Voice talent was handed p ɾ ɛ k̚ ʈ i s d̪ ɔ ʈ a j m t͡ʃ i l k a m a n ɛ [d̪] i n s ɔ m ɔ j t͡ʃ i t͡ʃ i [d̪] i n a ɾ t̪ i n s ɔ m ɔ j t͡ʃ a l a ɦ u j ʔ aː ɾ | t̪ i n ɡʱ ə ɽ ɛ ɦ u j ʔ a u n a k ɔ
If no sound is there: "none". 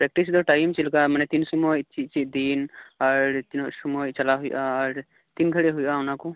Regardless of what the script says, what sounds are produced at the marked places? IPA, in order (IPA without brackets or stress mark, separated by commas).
t̪, d̪